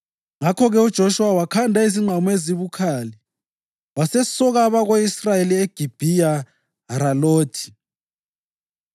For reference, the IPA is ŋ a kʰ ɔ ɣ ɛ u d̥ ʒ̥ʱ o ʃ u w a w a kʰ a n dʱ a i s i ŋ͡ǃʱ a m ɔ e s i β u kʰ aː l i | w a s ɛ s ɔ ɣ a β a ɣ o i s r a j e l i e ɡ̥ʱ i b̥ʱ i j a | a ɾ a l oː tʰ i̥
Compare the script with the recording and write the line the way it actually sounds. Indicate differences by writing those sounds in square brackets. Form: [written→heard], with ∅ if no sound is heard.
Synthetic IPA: ŋ a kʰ ɔ ɣ ɛ u d̥ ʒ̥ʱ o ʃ u w a w a kʰ a n dʱ a i [s→z] i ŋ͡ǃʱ a m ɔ e [s→z] i β u kʰ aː l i | w a s ɛ s ɔ ɣ a β a ɣ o i s r a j e l i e ɡ̥ʱ i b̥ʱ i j a | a ɾ a l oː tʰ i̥